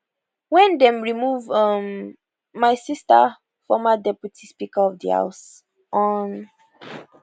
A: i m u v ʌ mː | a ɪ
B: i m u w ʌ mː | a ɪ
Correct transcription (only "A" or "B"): A